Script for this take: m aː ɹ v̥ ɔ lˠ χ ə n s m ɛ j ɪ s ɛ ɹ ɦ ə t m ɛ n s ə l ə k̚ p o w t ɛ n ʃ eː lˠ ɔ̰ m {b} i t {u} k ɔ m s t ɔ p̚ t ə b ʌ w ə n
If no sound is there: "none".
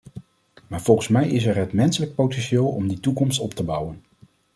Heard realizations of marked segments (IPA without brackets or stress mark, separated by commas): d, u